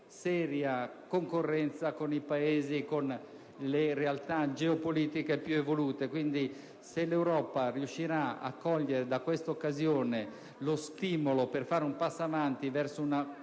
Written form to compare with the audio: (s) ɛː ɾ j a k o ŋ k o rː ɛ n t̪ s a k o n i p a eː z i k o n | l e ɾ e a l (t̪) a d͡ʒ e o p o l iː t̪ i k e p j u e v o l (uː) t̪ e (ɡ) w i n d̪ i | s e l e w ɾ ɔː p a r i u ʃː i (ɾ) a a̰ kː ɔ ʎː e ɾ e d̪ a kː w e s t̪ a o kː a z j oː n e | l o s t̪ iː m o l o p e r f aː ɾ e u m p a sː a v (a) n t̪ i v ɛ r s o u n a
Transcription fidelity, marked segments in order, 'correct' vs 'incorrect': correct, correct, correct, incorrect: k, correct, correct

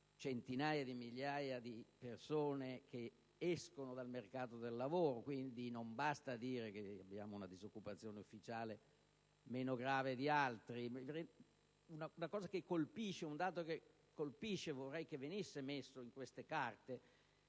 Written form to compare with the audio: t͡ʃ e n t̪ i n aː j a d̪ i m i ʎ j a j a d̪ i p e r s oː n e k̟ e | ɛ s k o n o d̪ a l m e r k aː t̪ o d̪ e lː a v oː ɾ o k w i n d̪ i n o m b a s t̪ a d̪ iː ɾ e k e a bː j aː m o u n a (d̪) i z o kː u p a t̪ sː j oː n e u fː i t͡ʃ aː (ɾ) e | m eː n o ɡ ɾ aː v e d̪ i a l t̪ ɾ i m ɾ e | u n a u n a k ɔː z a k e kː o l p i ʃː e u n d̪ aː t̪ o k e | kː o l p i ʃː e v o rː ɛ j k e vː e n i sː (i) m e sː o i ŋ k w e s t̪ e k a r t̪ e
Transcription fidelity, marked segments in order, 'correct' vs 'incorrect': correct, incorrect: l, incorrect: e

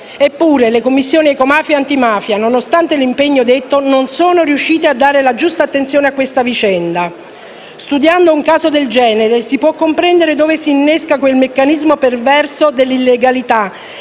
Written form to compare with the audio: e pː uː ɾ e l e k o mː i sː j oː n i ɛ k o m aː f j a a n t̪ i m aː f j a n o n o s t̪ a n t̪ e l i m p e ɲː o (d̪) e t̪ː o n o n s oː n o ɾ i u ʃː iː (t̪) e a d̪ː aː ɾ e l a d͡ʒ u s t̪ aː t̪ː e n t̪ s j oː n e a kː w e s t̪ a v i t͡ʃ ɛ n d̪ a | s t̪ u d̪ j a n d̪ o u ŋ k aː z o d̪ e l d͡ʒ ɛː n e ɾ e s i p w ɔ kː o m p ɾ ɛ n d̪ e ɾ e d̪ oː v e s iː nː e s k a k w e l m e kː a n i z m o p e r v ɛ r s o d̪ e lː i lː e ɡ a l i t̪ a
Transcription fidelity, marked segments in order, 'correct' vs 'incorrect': correct, correct

